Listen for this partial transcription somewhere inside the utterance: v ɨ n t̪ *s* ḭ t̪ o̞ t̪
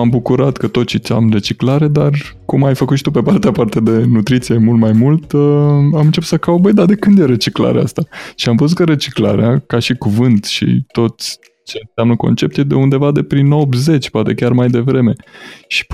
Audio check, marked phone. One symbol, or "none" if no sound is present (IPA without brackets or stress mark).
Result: ʃ